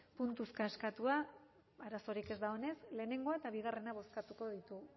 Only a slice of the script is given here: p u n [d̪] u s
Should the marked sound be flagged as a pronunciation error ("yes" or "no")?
yes